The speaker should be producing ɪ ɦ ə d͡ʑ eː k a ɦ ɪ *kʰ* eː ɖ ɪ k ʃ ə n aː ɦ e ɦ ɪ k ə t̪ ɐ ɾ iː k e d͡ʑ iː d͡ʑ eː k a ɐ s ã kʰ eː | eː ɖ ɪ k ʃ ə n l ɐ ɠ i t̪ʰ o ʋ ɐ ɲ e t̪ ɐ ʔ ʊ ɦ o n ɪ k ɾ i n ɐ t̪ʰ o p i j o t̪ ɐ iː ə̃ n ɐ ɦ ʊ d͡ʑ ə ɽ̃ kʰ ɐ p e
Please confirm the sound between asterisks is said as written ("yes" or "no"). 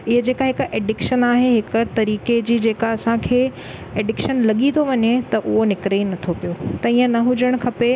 no